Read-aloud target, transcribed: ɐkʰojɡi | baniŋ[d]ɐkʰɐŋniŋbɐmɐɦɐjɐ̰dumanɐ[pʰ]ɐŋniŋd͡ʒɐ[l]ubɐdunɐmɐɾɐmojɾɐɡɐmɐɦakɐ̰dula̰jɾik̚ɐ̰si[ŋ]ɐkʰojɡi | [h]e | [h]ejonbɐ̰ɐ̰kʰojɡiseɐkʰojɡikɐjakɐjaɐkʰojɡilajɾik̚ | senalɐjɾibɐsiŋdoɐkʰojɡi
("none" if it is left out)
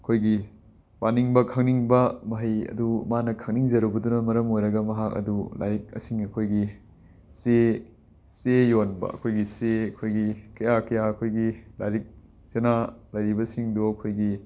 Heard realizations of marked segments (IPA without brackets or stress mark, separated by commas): b, kʰ, ɾ, ŋ, s, s